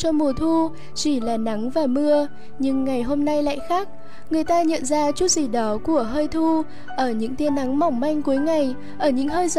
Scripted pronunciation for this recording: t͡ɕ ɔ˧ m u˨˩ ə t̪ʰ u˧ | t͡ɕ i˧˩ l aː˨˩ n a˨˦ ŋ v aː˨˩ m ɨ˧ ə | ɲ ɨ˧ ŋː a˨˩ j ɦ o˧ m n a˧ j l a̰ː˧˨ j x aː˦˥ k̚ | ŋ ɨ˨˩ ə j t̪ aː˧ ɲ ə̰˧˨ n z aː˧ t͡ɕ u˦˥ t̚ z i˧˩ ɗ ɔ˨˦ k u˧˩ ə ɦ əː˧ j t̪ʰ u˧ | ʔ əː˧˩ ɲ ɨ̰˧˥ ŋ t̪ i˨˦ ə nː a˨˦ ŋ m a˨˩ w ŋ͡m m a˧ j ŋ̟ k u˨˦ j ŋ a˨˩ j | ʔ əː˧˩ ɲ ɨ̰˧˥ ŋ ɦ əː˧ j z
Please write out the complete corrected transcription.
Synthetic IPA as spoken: t͡ɕ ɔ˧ m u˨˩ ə t̪ʰ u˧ | t͡ɕ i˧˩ l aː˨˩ n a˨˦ ŋ v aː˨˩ m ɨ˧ ə | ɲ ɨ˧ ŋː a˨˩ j ɦ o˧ m n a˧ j l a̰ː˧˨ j x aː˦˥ k̚ | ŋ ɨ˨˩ ə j t̪ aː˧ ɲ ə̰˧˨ n z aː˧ t͡ɕ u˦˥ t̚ z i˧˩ ɗ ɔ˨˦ k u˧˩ ə ɦ əː˧ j t̪ʰ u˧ | ʔ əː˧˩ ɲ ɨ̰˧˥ ŋ t̪ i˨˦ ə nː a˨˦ ŋ m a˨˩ w ŋ͡m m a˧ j ŋ̟ k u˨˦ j ŋ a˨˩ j | ʔ əː˧˩ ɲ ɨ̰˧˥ ŋ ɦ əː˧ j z